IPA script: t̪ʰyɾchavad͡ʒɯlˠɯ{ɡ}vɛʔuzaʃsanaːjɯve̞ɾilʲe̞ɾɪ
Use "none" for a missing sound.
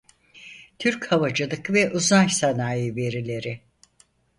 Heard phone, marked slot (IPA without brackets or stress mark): k